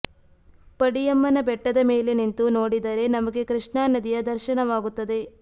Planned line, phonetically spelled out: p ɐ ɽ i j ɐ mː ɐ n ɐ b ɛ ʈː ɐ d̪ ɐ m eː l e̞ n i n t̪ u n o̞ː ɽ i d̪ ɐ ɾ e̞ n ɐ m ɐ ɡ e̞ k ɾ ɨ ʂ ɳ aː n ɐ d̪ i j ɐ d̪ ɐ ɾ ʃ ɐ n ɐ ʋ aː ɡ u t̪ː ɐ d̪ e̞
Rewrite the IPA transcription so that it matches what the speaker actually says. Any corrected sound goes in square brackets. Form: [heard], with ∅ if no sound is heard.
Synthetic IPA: p ɐ ɽ i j ɐ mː ɐ n ɐ b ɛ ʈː ɐ d̪ ɐ m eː l e̞ n i n t̪ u n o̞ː ɽ i d̪ ɐ ɾ e̞ n ɐ m ɐ ɡ e̞ k ɾ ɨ ʂ ɳ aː n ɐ d̪ i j ɐ d̪ ɐ ɾ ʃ ɐ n ɐ ʋ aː ɡ u t̪ː ɐ d̪ e̞